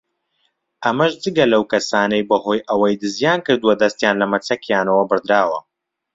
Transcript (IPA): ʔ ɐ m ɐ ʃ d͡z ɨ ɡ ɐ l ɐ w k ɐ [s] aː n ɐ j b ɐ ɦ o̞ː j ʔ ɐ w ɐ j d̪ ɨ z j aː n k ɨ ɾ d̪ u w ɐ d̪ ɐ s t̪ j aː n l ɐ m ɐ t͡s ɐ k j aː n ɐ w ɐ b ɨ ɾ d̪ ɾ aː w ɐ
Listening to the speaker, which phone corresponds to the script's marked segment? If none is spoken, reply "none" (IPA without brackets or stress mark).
s